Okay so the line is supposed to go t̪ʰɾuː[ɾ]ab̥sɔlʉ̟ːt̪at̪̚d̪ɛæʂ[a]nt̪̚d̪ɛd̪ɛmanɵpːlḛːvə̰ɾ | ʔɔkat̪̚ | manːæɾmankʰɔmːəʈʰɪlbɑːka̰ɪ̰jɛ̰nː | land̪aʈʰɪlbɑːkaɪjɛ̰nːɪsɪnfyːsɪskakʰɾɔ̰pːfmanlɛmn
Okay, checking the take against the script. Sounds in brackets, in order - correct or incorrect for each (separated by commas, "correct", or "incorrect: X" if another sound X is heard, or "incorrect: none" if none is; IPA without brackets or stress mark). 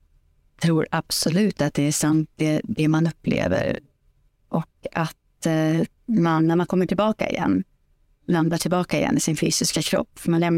correct, correct